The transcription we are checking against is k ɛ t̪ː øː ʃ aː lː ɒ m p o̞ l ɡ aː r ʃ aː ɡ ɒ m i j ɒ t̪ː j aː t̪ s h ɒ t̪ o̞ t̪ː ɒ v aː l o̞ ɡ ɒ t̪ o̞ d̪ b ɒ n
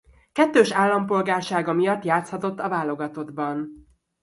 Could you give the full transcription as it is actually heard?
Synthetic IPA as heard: k ɛ t̪ː øː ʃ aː lː ɒ m p o̞ l ɡ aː r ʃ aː ɡ ɒ m i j ɒ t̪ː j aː t̪ s h ɒ t̪ o̞ t̪ː ɒ v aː l o̞ ɡ ɒ t̪ o̞ d̪ b ɒ n

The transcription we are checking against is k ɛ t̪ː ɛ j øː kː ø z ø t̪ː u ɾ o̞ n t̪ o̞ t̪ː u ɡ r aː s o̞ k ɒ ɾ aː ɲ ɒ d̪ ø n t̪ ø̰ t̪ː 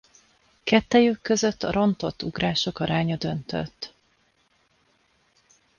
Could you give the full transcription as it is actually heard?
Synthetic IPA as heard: k ɛ t̪ː ɛ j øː kː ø z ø t̪ː ɒ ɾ o̞ n t̪ o̞ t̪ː u ɡ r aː ʃ o̞ k ɒ ɾ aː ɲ ɒ d̪ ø n t̪ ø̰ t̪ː

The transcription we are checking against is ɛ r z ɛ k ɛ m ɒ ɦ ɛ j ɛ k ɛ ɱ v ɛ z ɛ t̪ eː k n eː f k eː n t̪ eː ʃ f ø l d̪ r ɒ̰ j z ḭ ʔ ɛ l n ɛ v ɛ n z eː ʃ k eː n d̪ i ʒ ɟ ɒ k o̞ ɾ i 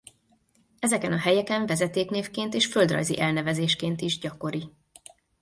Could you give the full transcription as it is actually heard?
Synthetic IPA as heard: ɛ z ɛ k ɛ n ɒ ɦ ɛ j ɛ k ɛ ɱ v ɛ z ɛ t̪ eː k n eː f k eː n t̪ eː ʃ f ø l d̪ r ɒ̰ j z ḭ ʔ ɛ l n ɛ v ɛ z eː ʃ k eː n t̪ i ʒ ɟ ɒ k o̞ ɾ i

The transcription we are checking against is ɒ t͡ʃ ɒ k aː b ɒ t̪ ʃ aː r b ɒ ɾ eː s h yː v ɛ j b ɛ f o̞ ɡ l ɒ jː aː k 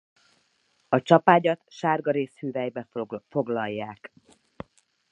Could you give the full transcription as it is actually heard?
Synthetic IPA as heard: ɒ t͡ʃ ɒ p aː ɟ ɒ t̪ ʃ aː r ɡ ɒ ɾ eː s h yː v ɛ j b ɛ f o̞ ɡ l ɒ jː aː k

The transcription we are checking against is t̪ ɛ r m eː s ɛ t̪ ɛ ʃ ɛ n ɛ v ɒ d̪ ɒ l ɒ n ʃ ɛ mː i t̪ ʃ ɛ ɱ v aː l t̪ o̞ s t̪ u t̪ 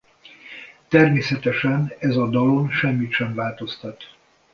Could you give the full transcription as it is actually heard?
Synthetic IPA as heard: t̪ ɛ r m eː s ɛ t̪ ɛ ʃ ɛ n ɛ z ɒ d̪ ɒ l o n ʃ ɛ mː i t̪ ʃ ɛ ɱ v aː l t̪ o̞ s t̪ ɒ t̪

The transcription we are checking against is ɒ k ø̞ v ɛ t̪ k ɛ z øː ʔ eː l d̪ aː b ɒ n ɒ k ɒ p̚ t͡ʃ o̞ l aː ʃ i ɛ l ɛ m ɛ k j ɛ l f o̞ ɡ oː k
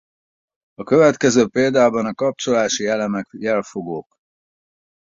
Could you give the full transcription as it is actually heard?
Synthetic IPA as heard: ɒ k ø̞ v ɛ t̪ k ɛ z øː p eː l d̪ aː b ɒ n ɒ k ɒ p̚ t͡ʃ o̞ l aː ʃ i ɛ l ɛ m ɛ k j ɛ l f o̞ ɡ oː k

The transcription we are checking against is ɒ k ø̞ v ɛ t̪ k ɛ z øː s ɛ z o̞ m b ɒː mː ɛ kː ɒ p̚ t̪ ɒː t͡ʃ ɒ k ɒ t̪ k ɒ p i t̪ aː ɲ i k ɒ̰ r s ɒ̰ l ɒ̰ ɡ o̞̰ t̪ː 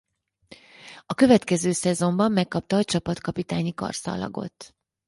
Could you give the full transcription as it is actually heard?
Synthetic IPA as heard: ɒ k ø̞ v ɛ t̪ k ɛ z øː s ɛ z o̞ m b ɒ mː ɛ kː ɒ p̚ t̪ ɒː t͡ʃ ɒ p ɒ t̪ k ɒ p i t̪ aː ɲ i k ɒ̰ r s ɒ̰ l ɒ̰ ɡ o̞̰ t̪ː

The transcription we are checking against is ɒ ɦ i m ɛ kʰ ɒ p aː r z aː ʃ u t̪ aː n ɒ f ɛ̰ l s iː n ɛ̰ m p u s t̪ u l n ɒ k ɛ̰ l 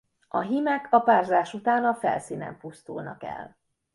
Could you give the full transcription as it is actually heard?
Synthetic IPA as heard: ɒ ɦ i m ɛ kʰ ɒ p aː r z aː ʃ u t̪ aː n ɒ f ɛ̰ l s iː n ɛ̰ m p u s t̪ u l n ɒ k ɛ̰ l

